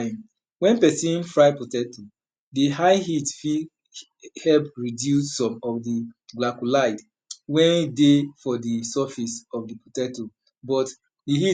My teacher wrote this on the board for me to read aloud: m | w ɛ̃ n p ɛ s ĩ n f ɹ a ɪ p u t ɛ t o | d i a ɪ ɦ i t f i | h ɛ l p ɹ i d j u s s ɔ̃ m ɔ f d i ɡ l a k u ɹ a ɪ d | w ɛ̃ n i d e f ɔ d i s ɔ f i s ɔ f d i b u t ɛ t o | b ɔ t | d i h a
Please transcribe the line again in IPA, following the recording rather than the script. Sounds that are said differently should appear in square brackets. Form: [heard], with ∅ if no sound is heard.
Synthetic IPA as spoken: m | w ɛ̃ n p ɛ s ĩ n f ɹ a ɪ p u t ɛ t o | d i a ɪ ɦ i t f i | h ɛ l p ɹ i d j u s s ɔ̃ m ɔ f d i ɡ l a k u [l] a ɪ d | w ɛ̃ n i d e f ɔ d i s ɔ f i s ɔ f d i [p] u t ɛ t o | b ɔ t | d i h [i]